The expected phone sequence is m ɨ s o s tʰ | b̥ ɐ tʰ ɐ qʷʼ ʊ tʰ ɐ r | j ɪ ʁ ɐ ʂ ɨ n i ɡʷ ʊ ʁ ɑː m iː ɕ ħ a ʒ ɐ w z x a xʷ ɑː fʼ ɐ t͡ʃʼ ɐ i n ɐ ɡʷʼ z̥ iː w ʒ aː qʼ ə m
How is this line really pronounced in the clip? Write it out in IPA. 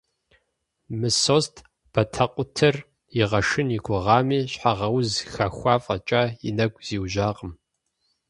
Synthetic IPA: m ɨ s o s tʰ | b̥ ɐ tʰ ɐ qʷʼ ʊ tʰ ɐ r | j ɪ ʁ ɐ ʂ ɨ n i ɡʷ ʊ ʁ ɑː m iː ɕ ħ a ʁ ɐ w z x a xʷ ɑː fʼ ɐ t͡ʃʼ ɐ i n ɐ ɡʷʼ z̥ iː w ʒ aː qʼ ə m